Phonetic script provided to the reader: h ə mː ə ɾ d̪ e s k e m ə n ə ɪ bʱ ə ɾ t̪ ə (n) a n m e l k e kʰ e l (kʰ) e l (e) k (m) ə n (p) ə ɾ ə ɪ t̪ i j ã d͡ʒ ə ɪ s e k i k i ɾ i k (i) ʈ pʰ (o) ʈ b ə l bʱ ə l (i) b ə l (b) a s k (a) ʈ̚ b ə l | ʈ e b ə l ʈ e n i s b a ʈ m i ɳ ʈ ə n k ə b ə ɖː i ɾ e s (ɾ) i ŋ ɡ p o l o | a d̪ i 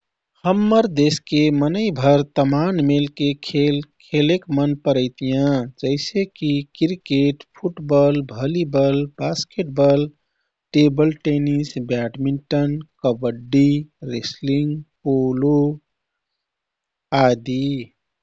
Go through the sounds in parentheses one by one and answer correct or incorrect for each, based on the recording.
incorrect, correct, correct, correct, correct, incorrect, incorrect, correct, correct, incorrect, incorrect

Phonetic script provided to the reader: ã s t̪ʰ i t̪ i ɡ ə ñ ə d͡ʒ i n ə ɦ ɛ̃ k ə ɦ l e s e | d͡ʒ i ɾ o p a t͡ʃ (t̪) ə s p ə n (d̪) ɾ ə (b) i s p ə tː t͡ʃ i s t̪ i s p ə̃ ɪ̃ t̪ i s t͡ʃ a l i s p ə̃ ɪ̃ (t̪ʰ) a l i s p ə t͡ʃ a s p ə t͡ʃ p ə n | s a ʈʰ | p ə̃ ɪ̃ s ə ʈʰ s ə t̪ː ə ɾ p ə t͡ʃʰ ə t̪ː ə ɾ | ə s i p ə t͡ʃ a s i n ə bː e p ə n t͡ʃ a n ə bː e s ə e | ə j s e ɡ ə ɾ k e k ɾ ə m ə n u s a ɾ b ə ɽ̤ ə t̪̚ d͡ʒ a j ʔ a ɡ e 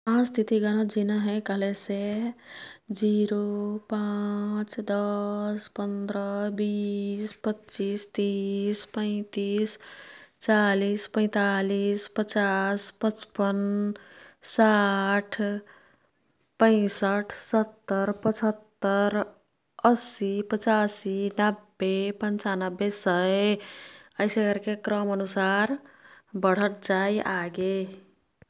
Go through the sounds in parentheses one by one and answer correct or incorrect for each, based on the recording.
incorrect, correct, correct, incorrect

